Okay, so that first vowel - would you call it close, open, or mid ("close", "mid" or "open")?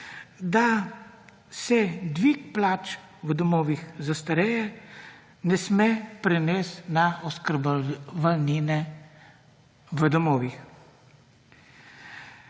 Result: open